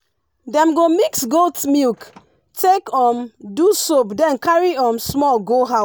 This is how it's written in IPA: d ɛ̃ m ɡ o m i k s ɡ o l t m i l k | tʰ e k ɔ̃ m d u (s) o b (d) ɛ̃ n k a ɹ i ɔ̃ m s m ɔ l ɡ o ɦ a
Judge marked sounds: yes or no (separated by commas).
yes, yes